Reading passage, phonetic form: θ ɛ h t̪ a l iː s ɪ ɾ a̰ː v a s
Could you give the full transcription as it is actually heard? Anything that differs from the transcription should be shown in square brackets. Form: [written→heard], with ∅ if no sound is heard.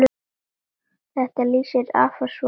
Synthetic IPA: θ ɛ h t̪ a l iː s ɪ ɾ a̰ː [v→f] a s